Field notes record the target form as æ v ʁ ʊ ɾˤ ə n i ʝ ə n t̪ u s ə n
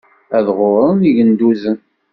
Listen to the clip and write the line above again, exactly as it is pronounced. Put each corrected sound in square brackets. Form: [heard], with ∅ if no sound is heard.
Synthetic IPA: æ [ð] ʁ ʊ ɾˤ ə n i ʝ ə n [d̪] u [z] ə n